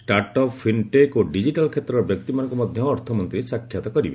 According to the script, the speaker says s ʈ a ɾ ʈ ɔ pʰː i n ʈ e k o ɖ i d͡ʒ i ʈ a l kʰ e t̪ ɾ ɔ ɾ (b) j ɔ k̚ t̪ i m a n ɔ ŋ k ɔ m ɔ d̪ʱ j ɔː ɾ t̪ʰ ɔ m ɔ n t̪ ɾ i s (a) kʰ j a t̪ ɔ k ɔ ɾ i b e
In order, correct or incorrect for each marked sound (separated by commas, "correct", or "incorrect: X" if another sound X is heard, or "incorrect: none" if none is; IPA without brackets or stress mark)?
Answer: correct, correct